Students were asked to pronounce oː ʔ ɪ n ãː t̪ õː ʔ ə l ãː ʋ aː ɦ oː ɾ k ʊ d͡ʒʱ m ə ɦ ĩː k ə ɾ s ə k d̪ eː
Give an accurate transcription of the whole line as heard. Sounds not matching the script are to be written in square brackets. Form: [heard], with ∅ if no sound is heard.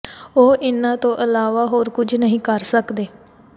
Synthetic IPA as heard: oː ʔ ɪ n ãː t̪ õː ʔ ə l [aː] ʋ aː ɦ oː ɾ k ʊ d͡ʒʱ [n] ə ɦ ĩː k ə ɾ s ə k d̪ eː